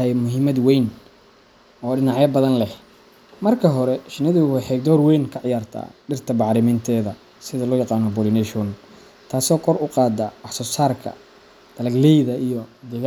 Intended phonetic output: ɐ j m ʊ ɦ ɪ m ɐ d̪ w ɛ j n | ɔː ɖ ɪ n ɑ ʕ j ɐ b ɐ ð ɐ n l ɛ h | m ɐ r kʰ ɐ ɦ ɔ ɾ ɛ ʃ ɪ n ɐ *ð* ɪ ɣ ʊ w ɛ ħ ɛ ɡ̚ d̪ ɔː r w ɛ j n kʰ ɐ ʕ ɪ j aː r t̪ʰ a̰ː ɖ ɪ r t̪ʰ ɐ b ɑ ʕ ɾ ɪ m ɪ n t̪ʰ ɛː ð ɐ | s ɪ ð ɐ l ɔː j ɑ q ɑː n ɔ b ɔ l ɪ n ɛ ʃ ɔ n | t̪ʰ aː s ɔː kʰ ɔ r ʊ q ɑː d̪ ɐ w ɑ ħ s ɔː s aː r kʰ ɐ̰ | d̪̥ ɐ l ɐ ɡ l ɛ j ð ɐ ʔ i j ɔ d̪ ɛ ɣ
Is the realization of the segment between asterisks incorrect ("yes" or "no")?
no